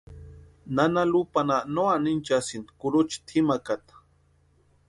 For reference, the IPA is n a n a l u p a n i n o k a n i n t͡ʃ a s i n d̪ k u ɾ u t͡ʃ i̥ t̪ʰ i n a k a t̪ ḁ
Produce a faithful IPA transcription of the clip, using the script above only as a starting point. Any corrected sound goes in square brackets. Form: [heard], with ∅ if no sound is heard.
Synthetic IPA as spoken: n a n a l u p a n [a] n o [∅] a n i n t͡ʃ a s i n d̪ k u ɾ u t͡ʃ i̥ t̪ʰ i [m] a k a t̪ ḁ